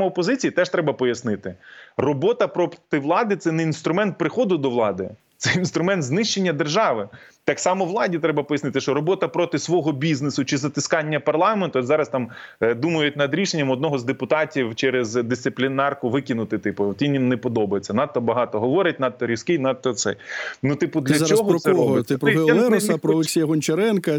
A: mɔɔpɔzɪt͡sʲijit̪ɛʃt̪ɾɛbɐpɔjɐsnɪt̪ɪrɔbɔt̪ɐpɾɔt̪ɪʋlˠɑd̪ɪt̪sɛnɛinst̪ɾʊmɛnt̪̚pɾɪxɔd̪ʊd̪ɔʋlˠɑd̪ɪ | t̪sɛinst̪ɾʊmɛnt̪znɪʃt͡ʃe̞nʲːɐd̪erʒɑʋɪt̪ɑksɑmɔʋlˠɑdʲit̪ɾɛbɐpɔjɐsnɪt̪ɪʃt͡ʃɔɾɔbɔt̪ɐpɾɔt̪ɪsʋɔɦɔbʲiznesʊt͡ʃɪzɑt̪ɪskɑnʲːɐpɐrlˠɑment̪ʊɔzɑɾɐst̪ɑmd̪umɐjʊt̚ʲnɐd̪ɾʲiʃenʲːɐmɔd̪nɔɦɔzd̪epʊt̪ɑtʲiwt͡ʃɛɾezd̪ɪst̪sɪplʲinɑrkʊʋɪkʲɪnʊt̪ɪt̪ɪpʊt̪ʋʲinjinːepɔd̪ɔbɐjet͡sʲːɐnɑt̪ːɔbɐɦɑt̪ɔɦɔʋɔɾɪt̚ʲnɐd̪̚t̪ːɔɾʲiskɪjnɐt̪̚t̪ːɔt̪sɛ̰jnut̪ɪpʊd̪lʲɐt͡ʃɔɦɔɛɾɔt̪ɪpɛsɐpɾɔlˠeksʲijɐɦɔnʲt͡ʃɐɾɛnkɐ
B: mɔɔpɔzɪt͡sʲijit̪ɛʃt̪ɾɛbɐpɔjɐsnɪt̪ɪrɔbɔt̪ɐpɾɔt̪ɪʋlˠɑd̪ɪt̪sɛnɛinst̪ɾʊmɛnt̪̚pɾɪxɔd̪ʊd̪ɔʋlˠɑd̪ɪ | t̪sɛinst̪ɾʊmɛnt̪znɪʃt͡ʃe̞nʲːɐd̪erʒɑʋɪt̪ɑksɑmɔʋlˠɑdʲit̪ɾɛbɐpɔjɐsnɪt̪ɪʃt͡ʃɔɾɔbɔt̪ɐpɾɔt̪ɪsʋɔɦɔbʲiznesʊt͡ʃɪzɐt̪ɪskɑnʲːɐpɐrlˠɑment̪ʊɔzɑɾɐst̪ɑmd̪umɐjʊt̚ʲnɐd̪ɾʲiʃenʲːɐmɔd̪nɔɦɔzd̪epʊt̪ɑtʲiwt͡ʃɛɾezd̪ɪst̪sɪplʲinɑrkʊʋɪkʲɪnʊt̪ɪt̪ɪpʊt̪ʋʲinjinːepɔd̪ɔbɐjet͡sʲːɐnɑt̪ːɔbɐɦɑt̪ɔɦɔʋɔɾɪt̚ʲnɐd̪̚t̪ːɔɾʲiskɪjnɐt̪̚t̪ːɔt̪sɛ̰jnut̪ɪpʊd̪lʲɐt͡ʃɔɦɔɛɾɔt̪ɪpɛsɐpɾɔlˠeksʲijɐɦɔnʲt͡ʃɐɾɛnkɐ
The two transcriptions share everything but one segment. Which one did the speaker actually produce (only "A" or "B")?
B